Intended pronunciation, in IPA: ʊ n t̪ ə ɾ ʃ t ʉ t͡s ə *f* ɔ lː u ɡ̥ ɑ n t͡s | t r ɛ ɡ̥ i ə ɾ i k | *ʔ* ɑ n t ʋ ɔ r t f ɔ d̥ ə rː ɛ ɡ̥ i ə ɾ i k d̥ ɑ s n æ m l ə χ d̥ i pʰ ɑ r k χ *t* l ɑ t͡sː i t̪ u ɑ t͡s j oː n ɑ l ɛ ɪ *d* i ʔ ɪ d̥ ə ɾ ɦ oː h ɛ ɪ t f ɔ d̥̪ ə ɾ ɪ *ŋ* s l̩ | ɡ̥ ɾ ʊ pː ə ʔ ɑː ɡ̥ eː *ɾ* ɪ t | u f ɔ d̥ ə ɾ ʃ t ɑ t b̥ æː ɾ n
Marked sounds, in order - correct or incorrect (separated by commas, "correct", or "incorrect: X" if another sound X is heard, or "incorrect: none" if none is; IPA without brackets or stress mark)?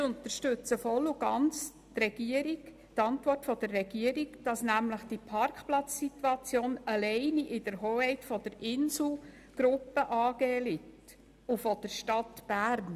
correct, incorrect: t, incorrect: p, incorrect: n, incorrect: n, incorrect: l